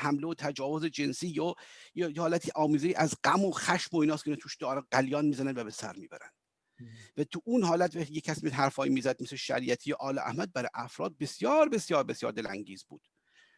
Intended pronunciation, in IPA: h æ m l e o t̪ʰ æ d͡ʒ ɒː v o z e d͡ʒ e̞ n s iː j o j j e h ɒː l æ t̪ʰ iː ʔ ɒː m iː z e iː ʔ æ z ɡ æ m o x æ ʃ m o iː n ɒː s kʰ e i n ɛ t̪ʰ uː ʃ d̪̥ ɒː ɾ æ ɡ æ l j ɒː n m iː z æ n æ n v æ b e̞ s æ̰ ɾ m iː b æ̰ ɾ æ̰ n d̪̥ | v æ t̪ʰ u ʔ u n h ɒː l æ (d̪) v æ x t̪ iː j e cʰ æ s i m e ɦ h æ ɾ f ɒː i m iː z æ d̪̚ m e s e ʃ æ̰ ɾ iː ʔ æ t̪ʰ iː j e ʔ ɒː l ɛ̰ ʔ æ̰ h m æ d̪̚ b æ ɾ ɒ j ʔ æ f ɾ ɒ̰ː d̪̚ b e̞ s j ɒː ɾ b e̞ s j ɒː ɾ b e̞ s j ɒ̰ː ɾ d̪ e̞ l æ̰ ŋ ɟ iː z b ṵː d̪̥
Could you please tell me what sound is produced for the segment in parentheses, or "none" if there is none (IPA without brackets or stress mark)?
t̪